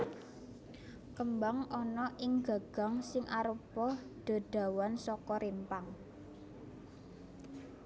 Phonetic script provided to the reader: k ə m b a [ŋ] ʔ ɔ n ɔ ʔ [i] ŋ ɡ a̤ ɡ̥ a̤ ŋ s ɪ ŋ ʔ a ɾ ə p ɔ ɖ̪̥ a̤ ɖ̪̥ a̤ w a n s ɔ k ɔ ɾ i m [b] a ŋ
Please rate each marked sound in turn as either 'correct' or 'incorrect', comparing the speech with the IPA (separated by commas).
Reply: correct, incorrect, incorrect